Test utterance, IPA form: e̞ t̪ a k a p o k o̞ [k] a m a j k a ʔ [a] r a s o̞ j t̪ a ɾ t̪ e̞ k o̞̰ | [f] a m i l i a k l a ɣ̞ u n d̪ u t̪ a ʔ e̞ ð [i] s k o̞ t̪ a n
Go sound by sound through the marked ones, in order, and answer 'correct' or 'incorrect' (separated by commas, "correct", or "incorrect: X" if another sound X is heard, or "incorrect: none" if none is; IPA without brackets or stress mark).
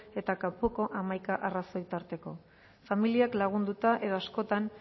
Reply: incorrect: ʔ, correct, correct, incorrect: a